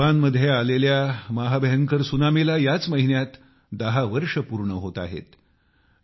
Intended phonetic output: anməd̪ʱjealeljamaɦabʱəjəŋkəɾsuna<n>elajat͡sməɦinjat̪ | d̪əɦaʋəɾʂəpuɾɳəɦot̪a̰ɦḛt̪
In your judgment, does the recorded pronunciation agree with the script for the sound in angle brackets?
no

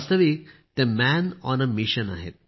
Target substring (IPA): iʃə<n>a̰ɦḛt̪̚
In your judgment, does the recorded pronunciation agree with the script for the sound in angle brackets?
yes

